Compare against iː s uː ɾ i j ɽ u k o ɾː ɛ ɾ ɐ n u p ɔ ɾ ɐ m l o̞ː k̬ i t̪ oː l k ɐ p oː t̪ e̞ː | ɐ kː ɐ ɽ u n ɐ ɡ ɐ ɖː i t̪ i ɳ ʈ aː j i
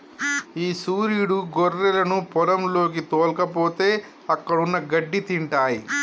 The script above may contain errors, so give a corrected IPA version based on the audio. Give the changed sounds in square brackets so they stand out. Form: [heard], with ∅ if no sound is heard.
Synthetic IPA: iː s uː ɾ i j ɽ u [ɡ] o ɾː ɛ [l] ɐ n u p ɔ ɾ ɐ m l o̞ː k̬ i t̪ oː l k ɐ p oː t̪ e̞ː | ɐ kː ɐ ɽ u [nː] ɐ ɡ ɐ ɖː i t̪ i ɳ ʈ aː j i